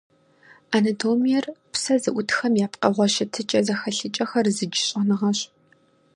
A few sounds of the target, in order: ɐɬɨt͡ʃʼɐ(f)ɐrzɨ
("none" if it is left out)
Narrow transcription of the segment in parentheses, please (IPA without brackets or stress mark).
x